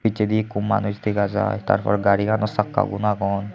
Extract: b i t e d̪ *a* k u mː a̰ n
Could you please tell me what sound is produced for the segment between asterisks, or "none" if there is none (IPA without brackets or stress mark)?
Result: i